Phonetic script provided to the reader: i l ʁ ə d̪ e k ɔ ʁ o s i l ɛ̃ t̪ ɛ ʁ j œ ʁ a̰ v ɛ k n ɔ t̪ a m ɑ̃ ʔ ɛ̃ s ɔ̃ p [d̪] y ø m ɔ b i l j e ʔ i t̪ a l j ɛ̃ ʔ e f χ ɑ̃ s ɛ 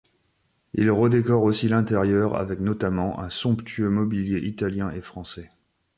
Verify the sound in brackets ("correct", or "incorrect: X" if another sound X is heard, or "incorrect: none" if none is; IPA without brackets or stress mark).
incorrect: t̪